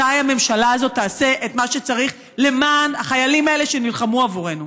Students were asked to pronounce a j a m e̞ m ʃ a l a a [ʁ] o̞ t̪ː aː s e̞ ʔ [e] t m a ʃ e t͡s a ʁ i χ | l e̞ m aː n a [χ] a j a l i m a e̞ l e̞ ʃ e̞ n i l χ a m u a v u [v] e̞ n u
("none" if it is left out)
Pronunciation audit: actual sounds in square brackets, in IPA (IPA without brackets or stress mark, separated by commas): z, e, χ, ʁ